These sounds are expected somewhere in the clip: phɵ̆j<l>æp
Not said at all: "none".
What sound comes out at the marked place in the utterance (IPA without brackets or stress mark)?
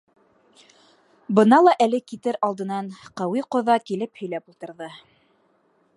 l